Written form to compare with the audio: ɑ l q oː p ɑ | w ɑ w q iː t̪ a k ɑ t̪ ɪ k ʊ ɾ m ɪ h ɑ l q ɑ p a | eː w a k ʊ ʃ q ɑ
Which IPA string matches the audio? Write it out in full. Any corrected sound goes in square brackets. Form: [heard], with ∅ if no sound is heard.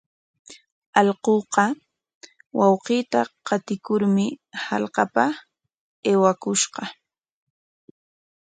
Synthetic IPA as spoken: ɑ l q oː [q] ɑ | w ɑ w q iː t̪ a [q] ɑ t̪ ɪ k ʊ ɾ m ɪ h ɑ l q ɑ p a | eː w a k ʊ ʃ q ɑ